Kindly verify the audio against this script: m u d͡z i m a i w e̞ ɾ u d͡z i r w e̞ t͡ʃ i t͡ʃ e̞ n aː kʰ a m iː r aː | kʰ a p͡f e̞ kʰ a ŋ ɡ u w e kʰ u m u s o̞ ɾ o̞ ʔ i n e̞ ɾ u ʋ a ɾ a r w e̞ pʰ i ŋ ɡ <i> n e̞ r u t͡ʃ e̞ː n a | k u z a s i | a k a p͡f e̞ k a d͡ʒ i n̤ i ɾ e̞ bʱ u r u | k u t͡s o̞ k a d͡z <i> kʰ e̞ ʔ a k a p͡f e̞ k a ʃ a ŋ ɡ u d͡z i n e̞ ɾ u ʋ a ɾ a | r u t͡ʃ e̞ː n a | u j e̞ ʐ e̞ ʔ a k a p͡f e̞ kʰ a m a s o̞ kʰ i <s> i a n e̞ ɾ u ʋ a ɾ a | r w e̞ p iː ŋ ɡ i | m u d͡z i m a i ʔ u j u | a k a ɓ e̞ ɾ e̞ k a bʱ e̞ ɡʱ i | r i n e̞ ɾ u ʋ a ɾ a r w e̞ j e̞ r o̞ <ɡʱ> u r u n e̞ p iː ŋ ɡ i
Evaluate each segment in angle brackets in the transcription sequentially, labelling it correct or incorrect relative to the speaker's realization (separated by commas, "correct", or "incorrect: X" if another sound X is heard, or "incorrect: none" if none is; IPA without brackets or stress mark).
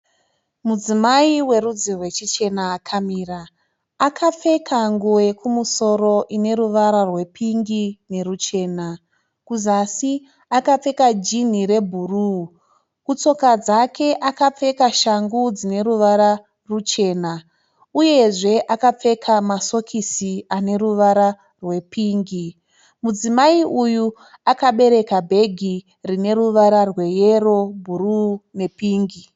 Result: correct, incorrect: a, correct, incorrect: bʱ